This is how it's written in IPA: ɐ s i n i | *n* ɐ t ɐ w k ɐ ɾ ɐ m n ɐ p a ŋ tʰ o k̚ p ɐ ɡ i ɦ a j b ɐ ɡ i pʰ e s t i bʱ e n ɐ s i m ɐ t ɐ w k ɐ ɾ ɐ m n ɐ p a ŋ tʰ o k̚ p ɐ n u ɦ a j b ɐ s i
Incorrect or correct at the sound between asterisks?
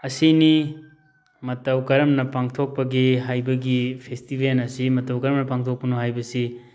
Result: incorrect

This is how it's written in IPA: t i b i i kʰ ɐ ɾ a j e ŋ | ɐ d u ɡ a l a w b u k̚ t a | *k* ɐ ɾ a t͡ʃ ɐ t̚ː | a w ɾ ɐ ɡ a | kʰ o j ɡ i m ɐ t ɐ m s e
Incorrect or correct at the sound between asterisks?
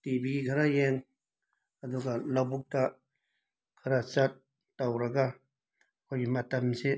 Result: incorrect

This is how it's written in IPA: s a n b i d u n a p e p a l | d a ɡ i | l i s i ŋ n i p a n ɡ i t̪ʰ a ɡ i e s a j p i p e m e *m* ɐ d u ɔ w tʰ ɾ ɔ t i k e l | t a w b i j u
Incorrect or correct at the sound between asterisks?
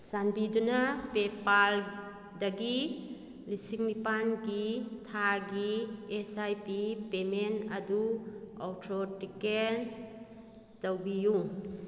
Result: incorrect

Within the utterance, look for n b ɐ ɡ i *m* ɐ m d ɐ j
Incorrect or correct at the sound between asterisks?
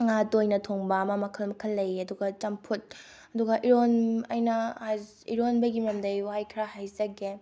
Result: correct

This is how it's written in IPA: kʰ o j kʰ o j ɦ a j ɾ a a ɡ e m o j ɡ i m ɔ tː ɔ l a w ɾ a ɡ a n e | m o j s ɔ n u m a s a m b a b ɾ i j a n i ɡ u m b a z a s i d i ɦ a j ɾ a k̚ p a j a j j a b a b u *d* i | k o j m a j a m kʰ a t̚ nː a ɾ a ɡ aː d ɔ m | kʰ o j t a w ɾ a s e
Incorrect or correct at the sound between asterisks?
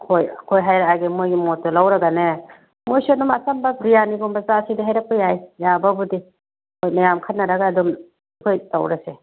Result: correct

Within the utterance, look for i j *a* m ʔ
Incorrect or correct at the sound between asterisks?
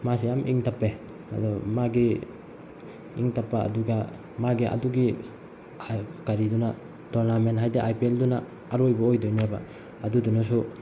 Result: correct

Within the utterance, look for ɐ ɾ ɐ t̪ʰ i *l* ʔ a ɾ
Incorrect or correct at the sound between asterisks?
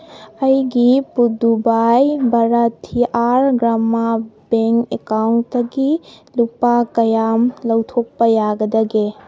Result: incorrect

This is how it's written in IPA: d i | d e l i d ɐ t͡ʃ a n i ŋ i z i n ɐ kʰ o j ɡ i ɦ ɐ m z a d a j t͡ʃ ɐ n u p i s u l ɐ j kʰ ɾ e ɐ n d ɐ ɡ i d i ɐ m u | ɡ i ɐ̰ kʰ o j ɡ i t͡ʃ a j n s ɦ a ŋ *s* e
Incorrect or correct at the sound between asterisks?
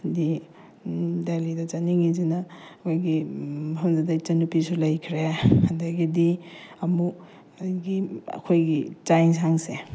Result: correct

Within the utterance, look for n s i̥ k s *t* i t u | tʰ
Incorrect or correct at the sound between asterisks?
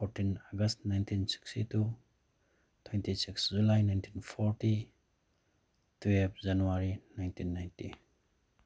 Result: correct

